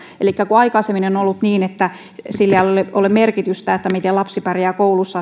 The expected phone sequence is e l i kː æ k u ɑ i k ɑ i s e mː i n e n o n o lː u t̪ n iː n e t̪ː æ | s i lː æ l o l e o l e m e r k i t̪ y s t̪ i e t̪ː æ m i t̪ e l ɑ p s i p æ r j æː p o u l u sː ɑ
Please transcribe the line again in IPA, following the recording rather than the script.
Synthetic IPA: e l i kː æ k u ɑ i k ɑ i s e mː i n e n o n o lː u t̪ n iː n e t̪ː æ | s i lː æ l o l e o l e m e r k i t̪ y s t̪ æ e t̪ː æ m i t̪ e l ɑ p s i p æ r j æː k o u l u sː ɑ